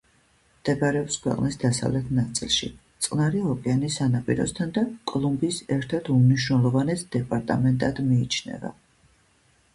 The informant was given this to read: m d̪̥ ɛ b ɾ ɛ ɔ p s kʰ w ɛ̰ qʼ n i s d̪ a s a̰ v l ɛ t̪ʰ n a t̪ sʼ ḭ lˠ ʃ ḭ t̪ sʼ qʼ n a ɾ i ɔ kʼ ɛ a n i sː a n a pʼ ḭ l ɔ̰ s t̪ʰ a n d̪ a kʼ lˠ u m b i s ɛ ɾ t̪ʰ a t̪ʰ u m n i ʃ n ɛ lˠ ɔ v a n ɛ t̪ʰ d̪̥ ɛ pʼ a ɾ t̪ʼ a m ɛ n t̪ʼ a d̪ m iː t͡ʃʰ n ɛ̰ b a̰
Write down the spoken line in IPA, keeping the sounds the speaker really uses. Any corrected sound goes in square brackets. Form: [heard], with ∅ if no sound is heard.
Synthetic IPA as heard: m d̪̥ ɛ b ɾ ɛ ɔ p s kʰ w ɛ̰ qʼ n i s d̪ a s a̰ v l ɛ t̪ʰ n a t̪ sʼ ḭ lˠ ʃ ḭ t̪ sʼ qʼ n a ɾ i ɔ kʼ ɛ a n i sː a n a pʼ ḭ [ɾ] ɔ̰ s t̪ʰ a n d̪ a kʼ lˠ u m b i s ɛ ɾ t̪ʰ a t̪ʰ u m n i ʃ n ɛ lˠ ɔ v a n ɛ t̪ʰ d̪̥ ɛ pʼ a ɾ t̪ʼ a m ɛ n t̪ʼ a d̪ m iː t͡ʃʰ n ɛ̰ [v] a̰